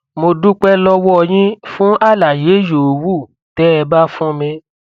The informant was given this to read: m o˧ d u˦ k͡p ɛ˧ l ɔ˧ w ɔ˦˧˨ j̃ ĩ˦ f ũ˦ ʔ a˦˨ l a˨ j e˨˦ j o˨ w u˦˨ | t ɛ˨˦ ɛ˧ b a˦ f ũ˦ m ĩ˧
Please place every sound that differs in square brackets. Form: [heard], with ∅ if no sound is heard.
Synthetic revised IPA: m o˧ d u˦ k͡p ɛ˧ l ɔ˧ w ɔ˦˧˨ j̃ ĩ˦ f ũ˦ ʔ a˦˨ l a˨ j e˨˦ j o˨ w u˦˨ | t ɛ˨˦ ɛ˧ b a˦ f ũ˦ m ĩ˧

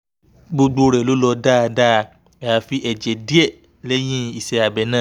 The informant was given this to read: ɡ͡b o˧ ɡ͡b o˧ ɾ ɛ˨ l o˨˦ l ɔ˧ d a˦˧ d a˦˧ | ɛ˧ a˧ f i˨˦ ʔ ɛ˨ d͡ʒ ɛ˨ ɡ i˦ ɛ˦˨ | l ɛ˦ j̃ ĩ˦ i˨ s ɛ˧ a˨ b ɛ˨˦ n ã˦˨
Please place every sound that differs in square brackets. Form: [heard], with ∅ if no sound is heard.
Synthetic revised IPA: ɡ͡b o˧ ɡ͡b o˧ ɾ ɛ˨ l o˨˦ l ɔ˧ d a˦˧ d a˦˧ | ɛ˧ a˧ f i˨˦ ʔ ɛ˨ d͡ʒ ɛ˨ [d] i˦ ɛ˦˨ | l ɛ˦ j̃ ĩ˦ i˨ s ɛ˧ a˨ b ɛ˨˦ n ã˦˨

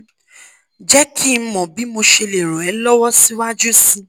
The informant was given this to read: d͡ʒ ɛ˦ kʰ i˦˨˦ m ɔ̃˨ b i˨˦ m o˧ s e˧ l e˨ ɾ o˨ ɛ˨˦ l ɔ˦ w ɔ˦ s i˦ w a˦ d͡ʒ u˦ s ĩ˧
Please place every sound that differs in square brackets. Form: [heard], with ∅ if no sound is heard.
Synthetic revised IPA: d͡ʒ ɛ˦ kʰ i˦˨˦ m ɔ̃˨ b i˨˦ m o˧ [ʃ] e˧ l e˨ ɾ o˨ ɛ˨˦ l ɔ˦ w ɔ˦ s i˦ w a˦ d͡ʒ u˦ s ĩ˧

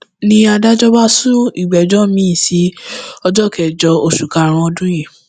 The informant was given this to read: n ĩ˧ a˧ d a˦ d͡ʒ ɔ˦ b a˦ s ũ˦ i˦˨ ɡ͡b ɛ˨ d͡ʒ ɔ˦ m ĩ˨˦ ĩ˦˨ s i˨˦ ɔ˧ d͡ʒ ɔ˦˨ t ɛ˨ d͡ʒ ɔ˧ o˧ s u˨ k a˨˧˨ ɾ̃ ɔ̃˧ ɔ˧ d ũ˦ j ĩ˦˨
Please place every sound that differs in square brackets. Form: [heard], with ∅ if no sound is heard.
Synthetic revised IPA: n ĩ˧ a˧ d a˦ d͡ʒ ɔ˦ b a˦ s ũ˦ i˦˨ ɡ͡b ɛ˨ d͡ʒ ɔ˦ m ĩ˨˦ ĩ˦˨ s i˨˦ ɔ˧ d͡ʒ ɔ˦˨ [k] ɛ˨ d͡ʒ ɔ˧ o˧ [ʃ] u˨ k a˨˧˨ ɾ̃ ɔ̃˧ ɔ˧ d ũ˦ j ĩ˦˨

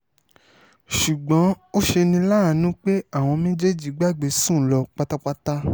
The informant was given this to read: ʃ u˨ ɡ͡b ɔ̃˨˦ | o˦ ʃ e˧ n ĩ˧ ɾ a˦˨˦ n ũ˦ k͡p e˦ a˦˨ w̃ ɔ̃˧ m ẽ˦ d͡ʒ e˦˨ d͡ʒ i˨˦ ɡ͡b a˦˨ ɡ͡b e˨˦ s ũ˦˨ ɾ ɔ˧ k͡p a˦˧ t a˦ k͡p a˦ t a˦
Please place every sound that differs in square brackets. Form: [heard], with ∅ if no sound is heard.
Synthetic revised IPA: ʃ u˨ ɡ͡b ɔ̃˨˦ | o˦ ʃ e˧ n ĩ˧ [l] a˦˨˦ n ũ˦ k͡p e˦ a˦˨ w̃ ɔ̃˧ m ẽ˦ d͡ʒ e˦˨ d͡ʒ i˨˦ ɡ͡b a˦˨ ɡ͡b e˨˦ s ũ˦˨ [l] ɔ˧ k͡p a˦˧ t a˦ k͡p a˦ t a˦

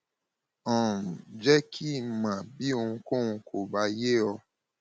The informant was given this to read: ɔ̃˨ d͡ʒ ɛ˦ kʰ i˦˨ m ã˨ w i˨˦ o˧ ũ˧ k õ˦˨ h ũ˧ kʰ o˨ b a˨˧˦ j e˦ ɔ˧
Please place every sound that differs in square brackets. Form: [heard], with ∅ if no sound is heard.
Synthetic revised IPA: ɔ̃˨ d͡ʒ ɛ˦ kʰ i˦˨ m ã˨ [b] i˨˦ o˧ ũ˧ k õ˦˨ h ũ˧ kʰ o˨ b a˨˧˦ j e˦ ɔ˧

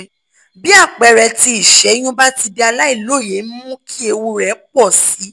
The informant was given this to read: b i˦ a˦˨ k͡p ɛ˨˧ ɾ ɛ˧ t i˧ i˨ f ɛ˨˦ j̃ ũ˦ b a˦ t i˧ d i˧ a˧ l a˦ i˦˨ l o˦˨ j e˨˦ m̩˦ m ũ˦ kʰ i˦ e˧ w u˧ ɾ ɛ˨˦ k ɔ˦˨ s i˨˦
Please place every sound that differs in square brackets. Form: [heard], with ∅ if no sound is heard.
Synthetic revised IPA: b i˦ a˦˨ k͡p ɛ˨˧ ɾ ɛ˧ t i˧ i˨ [ʃ] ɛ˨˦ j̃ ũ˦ b a˦ t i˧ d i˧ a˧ l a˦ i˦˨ l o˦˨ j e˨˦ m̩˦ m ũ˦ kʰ i˦ e˧ w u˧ ɾ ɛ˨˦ [k͡p] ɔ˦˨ s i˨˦

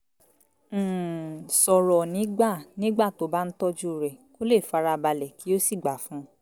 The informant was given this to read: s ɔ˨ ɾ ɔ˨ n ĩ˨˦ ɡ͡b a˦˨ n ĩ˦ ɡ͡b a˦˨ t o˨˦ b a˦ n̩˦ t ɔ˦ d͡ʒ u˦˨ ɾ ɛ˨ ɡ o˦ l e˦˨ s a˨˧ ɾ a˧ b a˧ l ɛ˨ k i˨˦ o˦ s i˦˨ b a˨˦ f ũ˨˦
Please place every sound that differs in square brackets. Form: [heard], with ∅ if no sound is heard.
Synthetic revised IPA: s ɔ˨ ɾ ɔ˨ n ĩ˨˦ ɡ͡b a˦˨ n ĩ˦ ɡ͡b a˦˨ t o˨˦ b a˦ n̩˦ t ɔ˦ d͡ʒ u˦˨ ɾ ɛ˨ [k] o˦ l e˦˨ [f] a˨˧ ɾ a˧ b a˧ l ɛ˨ k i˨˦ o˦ s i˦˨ [ɡ͡b] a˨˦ f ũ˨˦

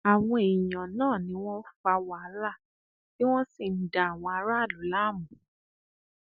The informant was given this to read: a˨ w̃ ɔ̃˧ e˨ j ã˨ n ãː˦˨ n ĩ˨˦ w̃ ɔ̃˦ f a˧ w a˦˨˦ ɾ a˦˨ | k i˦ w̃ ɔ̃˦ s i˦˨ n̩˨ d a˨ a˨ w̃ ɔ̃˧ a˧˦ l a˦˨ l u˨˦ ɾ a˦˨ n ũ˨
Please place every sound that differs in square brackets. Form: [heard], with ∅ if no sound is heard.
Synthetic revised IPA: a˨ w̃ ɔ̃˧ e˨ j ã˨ n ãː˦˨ n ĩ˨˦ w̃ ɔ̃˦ f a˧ w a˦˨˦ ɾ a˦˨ | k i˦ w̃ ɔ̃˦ s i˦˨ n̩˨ d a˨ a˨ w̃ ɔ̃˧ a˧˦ [ɾ] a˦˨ l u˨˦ [l] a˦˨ [m] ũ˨

